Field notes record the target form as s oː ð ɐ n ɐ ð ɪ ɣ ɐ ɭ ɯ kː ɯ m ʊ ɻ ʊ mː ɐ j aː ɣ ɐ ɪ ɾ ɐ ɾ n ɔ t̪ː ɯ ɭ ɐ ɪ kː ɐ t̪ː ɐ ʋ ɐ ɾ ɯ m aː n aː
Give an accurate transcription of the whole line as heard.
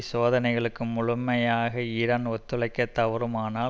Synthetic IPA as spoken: s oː ð ɐ n ɐ ɪ ɣ ɐ ɭ ɯ kː ɯ m ʊ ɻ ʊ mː ɐ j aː ɣ ɐ ɪ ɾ ɐ n ɔ t̪ː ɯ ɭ ɐ ɪ kː ɐ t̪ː ɐ ʋ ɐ ɾ ɯ m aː n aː